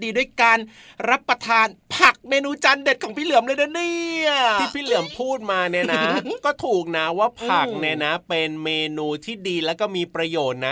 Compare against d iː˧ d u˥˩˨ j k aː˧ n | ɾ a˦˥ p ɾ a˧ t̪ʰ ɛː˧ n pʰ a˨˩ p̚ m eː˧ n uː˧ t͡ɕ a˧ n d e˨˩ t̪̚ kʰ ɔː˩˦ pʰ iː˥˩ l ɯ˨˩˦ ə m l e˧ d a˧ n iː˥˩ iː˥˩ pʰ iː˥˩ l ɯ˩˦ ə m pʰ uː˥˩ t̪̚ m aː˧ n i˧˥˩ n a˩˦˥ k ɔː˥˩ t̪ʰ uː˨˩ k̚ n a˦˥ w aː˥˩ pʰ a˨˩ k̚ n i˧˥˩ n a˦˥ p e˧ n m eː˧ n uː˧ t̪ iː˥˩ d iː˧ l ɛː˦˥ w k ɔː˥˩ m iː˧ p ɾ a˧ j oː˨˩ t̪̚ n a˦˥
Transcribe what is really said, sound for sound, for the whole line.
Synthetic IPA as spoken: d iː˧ d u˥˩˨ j k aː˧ n | ɾ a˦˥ p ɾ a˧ t̪ʰ aː˧ n pʰ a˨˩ k̚ m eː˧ n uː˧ t͡ɕ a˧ n d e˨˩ t̪̚ kʰ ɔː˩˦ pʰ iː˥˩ l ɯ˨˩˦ ə m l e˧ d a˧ n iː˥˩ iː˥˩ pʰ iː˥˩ l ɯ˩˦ ə m pʰ uː˥˩ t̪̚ m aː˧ n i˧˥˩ n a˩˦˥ k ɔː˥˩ t̪ʰ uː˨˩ k̚ n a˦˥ w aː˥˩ pʰ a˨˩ k̚ n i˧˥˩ n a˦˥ p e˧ n m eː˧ n uː˧ t̪ʰ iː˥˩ d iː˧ l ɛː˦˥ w k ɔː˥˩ m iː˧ p ɾ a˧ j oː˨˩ t̪̚ n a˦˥